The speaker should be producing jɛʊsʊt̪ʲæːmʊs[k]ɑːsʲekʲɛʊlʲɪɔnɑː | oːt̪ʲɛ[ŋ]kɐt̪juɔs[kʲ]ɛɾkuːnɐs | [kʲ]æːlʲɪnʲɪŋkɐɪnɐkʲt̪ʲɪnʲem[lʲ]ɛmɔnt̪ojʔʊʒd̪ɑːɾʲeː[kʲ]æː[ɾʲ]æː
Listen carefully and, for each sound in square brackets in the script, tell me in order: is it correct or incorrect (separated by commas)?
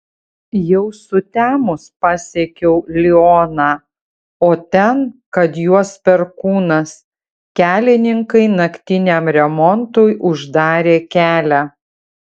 incorrect, incorrect, incorrect, correct, incorrect, correct, incorrect